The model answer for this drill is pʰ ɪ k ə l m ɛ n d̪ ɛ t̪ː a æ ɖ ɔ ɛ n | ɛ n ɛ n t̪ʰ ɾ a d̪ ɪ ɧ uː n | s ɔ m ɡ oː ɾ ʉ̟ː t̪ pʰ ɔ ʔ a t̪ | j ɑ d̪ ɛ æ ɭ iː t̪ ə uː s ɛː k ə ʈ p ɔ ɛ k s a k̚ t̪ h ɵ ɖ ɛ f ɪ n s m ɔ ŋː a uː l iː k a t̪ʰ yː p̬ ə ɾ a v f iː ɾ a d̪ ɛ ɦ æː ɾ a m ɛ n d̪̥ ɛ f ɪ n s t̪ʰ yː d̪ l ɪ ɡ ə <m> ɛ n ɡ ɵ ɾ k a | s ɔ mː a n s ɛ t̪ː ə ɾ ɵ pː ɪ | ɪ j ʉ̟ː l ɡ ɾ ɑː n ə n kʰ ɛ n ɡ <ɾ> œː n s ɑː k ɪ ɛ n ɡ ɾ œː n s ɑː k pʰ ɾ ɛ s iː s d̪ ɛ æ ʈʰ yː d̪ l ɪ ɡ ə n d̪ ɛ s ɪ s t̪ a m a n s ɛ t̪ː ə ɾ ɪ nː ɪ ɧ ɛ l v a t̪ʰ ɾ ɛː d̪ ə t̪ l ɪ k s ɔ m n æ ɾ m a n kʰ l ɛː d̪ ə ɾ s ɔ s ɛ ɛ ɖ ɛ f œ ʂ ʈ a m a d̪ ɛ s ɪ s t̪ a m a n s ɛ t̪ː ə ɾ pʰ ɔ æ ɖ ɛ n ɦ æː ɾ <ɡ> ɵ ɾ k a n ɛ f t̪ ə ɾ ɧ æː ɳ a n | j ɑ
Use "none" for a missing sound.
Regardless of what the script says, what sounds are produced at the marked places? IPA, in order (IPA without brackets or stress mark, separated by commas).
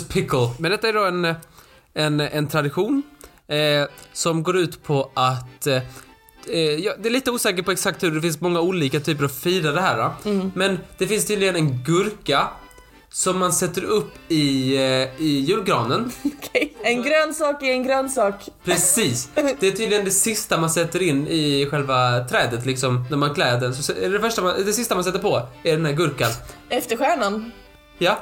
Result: n, ɾ, ɡ